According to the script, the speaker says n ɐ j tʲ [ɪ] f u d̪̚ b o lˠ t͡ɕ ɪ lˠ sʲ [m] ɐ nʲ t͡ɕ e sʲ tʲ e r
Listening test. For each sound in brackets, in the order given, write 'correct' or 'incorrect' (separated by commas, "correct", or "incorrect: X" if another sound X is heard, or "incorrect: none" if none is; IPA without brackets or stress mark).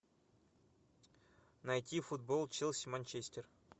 incorrect: i, correct